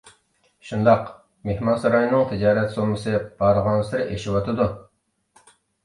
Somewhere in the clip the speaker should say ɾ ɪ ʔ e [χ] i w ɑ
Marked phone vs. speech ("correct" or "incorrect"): incorrect